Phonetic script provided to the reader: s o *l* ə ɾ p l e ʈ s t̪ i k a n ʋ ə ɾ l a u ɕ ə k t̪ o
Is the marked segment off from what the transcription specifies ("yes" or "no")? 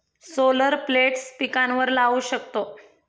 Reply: no